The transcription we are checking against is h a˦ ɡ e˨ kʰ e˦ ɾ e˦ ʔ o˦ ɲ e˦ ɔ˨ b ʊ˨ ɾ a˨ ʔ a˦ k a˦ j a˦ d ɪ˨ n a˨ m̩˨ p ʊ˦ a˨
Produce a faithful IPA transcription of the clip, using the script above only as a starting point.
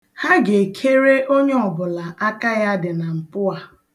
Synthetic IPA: h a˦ ɡ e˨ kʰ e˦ ɾ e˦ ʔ o˦ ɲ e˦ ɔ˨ b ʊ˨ l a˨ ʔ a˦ k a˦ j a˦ d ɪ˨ n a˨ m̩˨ p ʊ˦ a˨